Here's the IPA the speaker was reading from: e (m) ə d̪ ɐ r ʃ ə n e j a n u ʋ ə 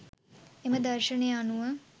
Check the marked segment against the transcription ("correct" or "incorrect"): correct